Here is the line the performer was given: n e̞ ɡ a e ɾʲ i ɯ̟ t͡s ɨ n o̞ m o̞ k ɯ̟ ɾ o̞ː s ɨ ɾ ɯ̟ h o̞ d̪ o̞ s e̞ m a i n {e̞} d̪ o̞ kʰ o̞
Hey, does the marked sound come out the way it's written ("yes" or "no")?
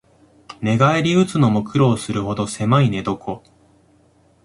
yes